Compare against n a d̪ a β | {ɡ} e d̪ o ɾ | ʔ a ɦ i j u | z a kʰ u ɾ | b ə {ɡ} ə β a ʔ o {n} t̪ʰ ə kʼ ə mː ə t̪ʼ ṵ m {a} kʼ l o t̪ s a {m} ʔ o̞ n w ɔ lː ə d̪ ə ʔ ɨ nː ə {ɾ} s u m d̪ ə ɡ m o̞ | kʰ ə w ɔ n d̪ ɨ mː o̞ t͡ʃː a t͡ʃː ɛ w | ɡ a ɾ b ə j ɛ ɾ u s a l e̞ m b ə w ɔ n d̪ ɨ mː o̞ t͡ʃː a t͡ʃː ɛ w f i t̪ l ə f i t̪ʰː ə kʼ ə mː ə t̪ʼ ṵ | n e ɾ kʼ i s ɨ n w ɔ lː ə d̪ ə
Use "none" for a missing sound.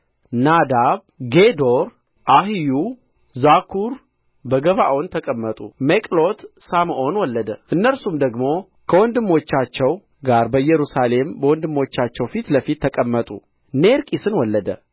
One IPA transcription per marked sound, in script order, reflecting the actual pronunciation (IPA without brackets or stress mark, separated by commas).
ɡ, ɡ, n, e, m, l